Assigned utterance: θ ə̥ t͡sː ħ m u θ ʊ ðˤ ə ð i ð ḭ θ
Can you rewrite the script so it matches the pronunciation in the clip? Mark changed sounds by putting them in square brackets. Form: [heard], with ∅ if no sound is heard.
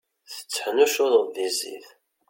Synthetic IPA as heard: θ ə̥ t͡sː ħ [n] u [ʃ] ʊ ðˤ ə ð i [z] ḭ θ